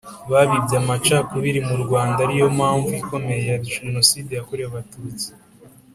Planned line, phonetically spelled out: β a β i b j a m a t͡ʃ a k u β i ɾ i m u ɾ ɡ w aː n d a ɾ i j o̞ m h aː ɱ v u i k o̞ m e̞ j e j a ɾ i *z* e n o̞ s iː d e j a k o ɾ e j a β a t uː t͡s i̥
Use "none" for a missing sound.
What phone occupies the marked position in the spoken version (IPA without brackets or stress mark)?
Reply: ʒ